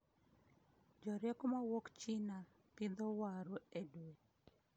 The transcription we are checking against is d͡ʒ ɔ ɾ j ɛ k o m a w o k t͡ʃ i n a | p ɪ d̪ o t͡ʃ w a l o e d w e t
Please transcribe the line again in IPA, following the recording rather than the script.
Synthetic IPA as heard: d͡ʒ ɔ ɾ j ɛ k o m a w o k t͡ʃ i n a | p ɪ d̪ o w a ɾ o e d w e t